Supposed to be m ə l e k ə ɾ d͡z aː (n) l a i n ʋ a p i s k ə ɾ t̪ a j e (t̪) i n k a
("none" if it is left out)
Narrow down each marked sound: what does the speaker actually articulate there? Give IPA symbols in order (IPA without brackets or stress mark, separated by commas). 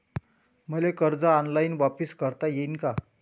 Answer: n, none